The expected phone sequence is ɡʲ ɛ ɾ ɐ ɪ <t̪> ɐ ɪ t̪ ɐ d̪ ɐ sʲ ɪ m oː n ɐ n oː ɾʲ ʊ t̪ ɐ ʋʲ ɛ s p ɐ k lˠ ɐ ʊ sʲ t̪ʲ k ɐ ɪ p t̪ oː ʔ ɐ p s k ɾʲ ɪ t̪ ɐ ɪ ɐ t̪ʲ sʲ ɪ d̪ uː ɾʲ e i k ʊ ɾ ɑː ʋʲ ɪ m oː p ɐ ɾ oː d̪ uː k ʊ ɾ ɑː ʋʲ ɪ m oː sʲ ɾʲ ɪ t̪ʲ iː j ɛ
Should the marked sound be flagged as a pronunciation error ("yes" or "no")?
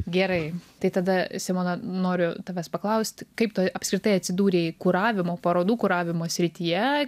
no